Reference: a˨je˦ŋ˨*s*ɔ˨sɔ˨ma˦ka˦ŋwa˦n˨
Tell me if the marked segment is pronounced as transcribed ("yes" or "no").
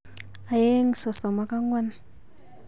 yes